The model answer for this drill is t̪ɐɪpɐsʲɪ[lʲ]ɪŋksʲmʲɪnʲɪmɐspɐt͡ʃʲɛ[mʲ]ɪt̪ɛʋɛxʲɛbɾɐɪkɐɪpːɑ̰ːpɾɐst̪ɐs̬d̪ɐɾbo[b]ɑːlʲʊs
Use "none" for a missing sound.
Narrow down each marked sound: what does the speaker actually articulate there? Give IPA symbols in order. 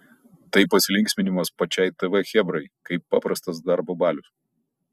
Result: lʲ, none, b

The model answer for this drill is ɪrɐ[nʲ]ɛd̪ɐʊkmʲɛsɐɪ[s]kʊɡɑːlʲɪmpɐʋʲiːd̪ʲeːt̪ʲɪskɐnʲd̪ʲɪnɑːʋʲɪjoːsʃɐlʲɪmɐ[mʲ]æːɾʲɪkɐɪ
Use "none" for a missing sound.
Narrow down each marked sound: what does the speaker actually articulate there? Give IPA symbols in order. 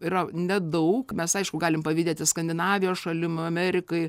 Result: nʲ, ʃ, mʲ

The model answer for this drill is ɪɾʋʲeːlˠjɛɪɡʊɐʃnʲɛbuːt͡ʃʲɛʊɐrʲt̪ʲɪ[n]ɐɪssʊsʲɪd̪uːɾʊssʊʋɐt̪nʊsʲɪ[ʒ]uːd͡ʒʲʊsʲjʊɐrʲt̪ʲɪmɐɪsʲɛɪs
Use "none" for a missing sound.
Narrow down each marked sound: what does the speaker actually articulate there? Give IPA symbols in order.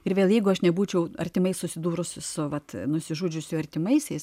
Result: m, ʒ

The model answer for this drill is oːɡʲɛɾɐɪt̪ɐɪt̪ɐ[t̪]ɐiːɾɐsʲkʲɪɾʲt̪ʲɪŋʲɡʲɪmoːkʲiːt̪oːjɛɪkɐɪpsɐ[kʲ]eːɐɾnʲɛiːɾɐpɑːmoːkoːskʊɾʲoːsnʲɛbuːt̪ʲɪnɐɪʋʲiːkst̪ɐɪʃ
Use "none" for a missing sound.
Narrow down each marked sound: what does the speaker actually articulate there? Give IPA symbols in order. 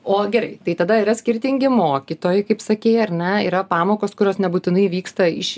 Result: d̪, kʲ

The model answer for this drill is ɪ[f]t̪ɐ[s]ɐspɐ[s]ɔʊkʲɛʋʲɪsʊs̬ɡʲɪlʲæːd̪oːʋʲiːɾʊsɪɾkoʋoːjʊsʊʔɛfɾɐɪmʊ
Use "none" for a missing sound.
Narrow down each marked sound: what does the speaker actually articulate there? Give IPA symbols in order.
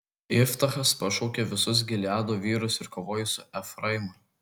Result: f, x, ʃ

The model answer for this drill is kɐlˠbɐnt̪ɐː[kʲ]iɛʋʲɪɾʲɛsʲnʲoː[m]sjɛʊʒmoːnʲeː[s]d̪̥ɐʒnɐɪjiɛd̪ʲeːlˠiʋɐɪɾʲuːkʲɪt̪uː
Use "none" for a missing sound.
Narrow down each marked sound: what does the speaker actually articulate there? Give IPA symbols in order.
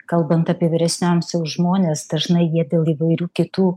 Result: pʲ, m, s

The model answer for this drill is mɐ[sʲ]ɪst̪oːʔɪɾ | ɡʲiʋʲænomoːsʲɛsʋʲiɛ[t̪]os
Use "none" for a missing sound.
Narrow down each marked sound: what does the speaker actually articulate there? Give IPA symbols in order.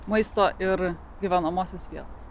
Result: none, t̪

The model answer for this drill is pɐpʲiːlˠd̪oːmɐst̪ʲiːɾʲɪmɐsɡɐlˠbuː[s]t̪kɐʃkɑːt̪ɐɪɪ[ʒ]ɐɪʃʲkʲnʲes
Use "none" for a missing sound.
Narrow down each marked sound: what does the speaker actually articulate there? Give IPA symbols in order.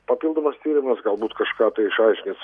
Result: none, ʃ

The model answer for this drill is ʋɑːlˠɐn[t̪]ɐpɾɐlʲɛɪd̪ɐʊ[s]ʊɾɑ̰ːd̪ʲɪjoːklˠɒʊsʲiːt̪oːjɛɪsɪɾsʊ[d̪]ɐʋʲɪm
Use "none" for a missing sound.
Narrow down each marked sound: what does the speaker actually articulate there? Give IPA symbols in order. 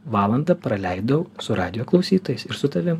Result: d̪, s, t̪

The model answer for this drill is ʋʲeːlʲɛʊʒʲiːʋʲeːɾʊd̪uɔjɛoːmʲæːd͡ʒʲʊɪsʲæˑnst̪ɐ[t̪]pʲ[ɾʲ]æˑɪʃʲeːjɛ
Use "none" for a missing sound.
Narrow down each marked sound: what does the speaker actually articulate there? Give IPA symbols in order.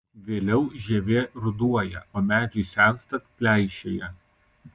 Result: t̪, lʲ

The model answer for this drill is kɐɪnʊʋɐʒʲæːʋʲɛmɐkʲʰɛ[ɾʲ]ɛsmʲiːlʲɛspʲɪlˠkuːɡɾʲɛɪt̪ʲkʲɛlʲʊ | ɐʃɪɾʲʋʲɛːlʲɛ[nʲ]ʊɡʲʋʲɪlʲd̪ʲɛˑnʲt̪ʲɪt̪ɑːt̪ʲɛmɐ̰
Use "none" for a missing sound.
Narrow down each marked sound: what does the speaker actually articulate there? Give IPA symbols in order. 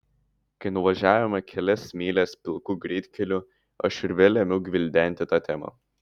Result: lʲ, mʲ

